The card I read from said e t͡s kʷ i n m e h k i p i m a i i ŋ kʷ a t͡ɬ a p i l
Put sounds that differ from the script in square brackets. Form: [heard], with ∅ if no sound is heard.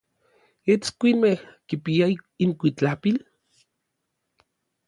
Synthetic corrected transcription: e t͡s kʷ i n m e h k i p i [∅] a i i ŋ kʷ [i] t͡ɬ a p i l